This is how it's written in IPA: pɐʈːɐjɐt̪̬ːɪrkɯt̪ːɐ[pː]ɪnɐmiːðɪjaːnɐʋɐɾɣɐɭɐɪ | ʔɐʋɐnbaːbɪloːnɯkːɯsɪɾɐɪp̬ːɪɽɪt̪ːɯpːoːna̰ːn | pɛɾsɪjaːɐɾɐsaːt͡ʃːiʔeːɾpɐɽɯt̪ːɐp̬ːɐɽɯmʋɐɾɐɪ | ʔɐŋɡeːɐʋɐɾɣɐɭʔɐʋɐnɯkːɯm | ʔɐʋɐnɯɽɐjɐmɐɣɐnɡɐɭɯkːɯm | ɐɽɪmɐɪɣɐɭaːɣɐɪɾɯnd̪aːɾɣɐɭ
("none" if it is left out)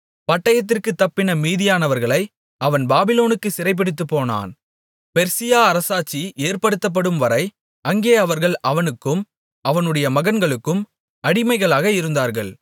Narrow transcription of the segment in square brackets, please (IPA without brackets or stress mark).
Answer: pː